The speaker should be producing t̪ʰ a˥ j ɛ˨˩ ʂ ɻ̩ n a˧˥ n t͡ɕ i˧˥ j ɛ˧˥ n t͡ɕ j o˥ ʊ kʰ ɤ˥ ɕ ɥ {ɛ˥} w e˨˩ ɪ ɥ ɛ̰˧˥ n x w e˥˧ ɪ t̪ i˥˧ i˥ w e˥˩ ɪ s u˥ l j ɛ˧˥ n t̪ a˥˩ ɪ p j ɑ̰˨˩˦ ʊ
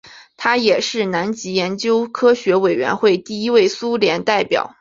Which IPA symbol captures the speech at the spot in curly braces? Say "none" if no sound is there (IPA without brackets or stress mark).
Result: ɛ˧˥